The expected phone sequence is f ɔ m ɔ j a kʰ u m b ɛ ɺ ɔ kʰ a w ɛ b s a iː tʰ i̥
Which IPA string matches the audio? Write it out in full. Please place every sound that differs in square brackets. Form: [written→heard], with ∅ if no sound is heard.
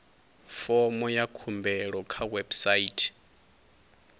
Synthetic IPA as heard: f ɔ m ɔ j a kʰ u m b ɛ ɺ ɔ kʰ a w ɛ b s a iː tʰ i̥